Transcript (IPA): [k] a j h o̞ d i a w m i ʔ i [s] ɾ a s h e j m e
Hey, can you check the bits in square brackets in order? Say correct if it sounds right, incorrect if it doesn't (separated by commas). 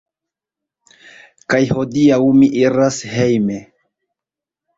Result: correct, incorrect